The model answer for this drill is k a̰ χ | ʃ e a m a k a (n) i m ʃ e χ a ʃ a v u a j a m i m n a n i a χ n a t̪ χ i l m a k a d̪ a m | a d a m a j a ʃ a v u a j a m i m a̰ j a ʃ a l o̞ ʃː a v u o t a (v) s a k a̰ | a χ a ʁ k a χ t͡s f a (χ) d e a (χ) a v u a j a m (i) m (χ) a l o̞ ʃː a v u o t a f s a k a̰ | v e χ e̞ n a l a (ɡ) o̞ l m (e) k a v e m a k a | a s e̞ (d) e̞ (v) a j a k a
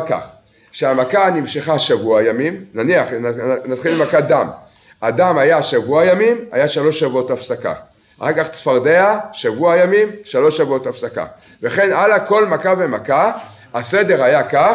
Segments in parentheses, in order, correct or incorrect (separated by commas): correct, incorrect, incorrect, incorrect, correct, incorrect, incorrect, incorrect, correct, incorrect